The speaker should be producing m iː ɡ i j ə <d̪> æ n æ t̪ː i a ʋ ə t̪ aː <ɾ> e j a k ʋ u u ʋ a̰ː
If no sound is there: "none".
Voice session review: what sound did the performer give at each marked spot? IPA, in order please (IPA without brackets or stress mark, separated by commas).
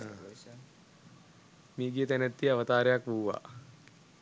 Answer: t̪, ɾ